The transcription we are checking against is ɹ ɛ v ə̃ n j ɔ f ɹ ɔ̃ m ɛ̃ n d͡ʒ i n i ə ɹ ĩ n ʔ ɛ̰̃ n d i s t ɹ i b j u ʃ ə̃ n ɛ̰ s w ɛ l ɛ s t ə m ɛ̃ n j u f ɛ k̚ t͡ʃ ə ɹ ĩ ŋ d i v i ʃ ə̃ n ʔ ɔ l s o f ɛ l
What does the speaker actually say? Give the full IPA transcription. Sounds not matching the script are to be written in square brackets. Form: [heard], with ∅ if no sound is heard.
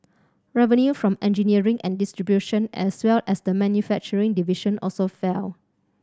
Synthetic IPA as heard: ɹ ɛ v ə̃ n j [u] f ɹ ɔ̃ m ɛ̃ n d͡ʒ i n i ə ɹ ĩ [ŋ] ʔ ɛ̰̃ n d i s t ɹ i b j u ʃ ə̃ n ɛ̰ s w ɛ l ɛ s [d] ə m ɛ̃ n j u f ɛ k̚ t͡ʃ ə ɹ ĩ ŋ d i v i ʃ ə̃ n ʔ ɔ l s o f ɛ l

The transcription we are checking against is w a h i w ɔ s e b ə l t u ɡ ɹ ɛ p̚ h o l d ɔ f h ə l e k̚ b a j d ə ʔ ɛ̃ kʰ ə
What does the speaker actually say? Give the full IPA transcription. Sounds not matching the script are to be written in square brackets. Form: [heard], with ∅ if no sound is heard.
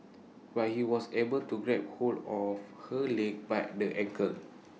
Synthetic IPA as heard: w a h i w ɔ s e b ə l t u ɡ ɹ ɛ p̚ h o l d ɔ f h ə l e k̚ b a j d ə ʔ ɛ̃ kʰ ə

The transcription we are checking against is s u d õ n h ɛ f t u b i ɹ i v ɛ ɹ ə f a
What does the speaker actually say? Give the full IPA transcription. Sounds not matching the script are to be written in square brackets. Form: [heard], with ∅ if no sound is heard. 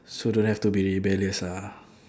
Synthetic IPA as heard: s [o] d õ n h ɛ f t u b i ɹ i [b] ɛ [l] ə [s] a

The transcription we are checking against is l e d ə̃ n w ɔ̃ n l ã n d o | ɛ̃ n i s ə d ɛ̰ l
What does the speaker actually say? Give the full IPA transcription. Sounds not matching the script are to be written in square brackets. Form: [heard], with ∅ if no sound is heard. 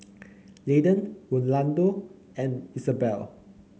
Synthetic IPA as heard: l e d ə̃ n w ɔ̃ n l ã n d o | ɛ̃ n i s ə [b] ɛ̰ l

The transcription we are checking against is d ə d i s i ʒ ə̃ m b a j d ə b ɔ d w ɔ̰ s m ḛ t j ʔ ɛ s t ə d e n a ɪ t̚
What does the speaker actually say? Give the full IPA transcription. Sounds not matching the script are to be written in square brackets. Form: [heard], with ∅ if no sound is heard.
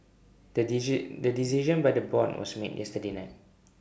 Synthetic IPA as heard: d ə d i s i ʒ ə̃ [n] b a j d ə b ɔ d w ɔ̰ s m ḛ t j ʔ ɛ s t ə d e n a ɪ t̚

